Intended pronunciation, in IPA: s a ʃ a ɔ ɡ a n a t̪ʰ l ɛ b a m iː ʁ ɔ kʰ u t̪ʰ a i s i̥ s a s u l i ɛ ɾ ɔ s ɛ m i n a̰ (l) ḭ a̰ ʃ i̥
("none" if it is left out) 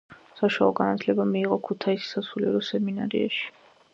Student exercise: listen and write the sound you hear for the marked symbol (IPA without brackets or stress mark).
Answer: ɾ